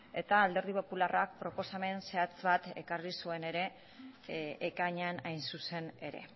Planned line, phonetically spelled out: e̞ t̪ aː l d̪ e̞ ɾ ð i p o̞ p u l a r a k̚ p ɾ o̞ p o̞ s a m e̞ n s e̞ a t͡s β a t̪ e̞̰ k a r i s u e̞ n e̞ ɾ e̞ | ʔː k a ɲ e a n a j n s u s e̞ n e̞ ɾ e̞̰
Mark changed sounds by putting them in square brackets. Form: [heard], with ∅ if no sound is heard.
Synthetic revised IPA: e̞ t̪ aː l d̪ e̞ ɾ ð i p o̞ p u l a r a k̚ p ɾ o̞ p o̞ s a m e̞ n s e̞ a t͡s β a t̪ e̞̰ k a r i s u e̞ n e̞ ɾ e̞ | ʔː k a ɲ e a n a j n s u s e̞ n e̞ ɾ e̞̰